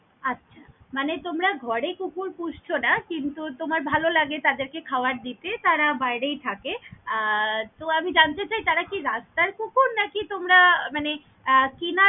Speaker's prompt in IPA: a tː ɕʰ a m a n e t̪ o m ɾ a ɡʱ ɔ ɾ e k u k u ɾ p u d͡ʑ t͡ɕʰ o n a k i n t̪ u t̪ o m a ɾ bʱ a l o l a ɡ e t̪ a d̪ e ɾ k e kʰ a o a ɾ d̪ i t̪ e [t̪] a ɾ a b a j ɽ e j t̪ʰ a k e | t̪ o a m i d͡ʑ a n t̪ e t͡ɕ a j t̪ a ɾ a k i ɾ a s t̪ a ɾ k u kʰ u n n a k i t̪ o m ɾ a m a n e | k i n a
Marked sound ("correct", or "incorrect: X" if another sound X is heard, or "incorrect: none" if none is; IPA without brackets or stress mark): correct